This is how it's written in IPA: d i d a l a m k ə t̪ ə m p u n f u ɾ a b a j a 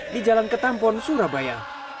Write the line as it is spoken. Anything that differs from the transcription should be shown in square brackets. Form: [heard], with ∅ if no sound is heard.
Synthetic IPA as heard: d i [d͡ʒ] a l a [n] k ə t̪ [a] m p [ɔ] n [s] u ɾ a b a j a